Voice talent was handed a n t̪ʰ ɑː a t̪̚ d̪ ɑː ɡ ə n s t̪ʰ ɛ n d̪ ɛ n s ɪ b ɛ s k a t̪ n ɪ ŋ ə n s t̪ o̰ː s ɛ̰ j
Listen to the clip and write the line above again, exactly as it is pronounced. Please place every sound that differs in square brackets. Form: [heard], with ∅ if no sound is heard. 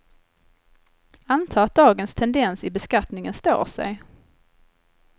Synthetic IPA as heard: a n t̪ʰ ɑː a t̪̚ d̪ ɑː ɡ ə n s t̪ʰ ɛ n d̪ ɛ n s ɪ b ɛ s k a t̪ n ɪ ŋ ə n s t̪ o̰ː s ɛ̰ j